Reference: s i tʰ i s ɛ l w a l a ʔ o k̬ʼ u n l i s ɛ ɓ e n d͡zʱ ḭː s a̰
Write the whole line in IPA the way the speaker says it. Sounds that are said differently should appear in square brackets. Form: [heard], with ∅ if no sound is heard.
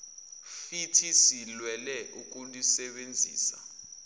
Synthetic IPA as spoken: [f] i tʰ i s [i] l w [ɛ] l [ɛ] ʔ [u] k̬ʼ u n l i s ɛ ɓ e n d͡zʱ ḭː s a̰